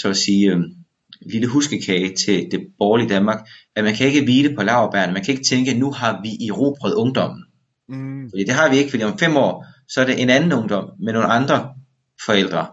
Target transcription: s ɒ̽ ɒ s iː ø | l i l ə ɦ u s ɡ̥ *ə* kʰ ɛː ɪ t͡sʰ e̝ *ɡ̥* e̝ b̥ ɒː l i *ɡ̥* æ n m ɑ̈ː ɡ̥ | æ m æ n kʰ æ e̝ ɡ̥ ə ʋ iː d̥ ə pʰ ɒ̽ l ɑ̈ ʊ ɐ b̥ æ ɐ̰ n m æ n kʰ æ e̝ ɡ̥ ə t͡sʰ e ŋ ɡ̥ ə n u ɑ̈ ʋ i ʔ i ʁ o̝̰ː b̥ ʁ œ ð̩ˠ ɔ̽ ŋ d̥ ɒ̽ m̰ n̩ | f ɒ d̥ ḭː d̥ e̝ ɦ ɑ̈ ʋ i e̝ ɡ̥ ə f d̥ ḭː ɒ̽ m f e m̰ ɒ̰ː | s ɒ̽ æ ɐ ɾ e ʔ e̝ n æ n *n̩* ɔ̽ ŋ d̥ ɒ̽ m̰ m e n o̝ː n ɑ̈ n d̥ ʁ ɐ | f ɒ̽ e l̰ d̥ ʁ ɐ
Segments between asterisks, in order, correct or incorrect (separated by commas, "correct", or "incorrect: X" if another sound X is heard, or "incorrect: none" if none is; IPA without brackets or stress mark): correct, incorrect: d̥, incorrect: d̥, correct